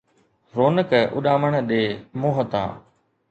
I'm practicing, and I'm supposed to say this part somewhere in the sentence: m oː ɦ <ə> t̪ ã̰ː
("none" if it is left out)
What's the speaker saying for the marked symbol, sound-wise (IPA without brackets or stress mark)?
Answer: ə